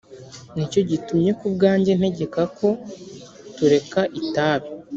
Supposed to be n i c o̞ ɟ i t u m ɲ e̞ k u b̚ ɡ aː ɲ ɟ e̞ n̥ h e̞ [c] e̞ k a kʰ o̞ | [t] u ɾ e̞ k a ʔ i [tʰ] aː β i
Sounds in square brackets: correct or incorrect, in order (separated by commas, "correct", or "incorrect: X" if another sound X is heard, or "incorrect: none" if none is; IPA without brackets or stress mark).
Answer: incorrect: ɟ, correct, incorrect: t